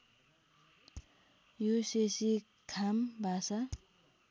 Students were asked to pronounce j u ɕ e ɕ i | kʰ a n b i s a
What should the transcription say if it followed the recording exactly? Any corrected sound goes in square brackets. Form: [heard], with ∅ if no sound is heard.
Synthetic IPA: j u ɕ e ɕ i | kʰ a [m] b [a] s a